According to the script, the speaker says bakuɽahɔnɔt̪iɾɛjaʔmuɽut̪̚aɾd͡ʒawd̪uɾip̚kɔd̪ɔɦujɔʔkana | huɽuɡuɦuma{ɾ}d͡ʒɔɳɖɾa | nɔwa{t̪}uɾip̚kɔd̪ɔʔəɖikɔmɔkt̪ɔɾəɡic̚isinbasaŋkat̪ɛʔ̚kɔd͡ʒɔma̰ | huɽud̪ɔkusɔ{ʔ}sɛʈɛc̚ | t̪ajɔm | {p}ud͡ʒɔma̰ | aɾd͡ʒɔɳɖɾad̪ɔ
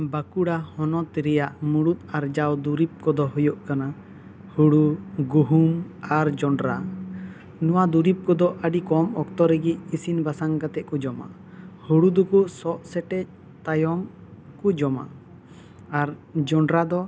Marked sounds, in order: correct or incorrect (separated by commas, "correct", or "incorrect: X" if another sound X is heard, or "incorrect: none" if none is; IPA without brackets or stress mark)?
correct, incorrect: d̪, correct, incorrect: k